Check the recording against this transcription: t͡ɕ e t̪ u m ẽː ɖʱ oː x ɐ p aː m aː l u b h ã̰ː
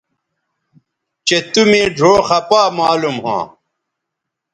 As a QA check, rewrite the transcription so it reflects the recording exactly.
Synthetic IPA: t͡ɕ e t̪ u m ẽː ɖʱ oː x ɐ p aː m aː l u m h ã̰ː